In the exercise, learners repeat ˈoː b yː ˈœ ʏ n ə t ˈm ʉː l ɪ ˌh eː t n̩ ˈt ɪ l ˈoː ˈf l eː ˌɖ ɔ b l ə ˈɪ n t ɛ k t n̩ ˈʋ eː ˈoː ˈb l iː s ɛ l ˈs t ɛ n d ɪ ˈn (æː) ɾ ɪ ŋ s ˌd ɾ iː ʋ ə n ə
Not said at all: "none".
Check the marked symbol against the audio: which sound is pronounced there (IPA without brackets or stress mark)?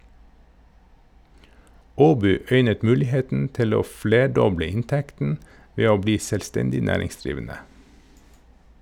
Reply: æː